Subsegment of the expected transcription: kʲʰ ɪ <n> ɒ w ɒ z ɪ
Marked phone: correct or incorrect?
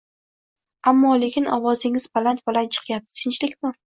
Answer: correct